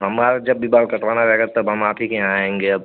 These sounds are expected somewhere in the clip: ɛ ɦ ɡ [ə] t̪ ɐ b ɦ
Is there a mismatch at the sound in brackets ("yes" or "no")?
yes